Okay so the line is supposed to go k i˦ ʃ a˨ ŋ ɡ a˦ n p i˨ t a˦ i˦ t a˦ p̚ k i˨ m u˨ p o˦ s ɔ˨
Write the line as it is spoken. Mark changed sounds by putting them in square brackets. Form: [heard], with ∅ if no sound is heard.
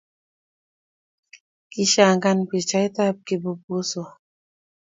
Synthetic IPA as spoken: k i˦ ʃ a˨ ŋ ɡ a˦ n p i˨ [t͡ʃ] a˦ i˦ t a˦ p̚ k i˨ [b] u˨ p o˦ s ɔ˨